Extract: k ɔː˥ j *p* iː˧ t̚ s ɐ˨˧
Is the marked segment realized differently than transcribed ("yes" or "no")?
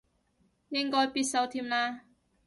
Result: no